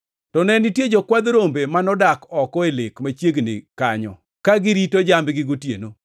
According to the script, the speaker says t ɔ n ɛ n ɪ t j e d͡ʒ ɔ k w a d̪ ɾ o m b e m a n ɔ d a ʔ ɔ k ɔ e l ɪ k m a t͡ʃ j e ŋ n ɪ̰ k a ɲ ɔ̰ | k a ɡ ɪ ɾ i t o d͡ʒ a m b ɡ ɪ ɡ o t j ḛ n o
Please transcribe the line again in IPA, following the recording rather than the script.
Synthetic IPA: t ɔ n ɛ n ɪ t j e d͡ʒ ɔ k w a d̪ ɾ o m b e m a n ɔ d a k ɔ k ɔ e l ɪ k m a t͡ʃ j e ɡ n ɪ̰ k a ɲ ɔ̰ | k a ɡ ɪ ɾ i t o d͡ʒ a m b ɡ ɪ ɡ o t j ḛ n o